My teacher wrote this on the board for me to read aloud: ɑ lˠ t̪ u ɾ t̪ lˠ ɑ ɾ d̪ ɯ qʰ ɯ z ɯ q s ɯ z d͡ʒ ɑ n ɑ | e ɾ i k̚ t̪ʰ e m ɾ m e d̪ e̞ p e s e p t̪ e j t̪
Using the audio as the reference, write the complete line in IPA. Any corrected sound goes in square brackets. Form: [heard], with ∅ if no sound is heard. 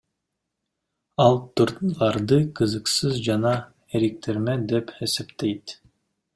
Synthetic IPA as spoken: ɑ lˠ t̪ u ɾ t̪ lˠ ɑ ɾ d̪ ɯ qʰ ɯ z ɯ q s ɯ z d͡ʒ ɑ n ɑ | e ɾ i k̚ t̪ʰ e [∅] ɾ m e d̪ e̞ p e s e p t̪ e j t̪